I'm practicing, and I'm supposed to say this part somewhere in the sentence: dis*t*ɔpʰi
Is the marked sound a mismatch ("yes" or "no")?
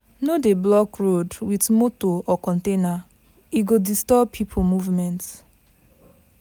no